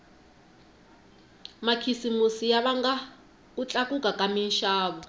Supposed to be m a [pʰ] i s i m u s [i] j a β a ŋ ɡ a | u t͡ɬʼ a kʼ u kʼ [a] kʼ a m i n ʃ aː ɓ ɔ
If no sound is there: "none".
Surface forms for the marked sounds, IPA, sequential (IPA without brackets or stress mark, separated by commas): kʰ, i, a